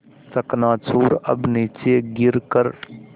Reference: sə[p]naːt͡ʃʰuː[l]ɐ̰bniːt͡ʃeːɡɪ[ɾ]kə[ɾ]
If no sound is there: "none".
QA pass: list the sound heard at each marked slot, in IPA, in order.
k, ɾ, ɾ, ɾ

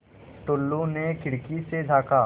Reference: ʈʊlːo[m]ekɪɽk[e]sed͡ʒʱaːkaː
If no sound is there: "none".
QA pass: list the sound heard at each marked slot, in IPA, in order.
n, i

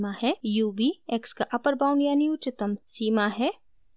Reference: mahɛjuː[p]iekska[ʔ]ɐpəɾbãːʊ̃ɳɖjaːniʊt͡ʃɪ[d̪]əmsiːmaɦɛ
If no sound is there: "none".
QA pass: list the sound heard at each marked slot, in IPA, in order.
b, ʔ, t̪

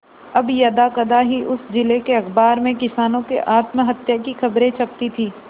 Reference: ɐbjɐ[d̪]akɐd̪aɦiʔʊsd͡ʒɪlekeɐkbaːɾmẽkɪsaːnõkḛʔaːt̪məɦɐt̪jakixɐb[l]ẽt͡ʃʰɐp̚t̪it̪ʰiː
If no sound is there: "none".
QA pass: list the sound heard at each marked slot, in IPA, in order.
d̪, ɾ

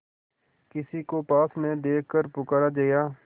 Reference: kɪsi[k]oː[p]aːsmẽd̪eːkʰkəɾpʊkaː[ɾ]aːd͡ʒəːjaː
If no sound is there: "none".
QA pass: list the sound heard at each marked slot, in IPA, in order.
k, p, ɾ

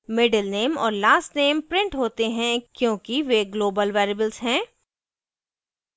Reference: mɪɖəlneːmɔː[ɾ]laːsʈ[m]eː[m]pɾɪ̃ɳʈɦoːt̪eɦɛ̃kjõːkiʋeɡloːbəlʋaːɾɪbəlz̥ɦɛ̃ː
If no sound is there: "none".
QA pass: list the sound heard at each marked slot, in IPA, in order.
ɾ, n, m

